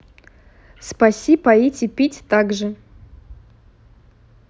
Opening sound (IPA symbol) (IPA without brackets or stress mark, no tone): s